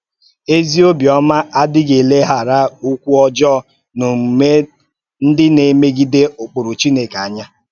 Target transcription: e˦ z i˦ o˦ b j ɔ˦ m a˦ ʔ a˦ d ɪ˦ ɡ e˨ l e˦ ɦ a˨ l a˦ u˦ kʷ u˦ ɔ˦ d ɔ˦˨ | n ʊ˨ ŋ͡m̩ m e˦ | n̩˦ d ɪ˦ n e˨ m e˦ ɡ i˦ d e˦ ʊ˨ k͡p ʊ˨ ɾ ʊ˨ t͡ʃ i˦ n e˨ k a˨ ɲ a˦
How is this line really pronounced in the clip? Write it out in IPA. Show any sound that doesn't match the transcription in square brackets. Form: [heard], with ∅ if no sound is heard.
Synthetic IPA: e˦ z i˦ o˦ b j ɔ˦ m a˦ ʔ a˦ d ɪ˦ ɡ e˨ l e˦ ɦ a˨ [ɾ] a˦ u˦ kʷ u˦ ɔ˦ [d͡ʒ] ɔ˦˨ | n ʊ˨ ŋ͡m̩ m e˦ | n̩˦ d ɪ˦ n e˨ m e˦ ɡ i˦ d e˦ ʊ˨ k͡p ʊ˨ ɾ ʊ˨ t͡ʃ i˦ n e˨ k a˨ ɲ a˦